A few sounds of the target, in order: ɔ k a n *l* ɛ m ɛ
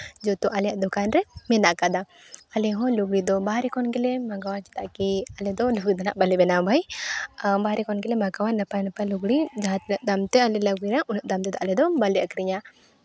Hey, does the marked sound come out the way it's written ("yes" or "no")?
no